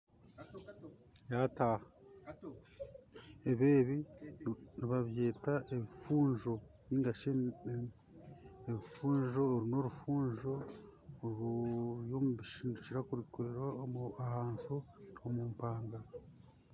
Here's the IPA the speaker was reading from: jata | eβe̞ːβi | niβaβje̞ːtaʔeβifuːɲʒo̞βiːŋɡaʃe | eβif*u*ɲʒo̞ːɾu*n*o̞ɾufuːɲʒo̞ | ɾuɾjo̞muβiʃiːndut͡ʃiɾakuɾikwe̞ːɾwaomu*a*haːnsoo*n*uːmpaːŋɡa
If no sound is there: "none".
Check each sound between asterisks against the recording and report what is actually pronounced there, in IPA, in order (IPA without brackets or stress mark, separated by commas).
uː, n, a, m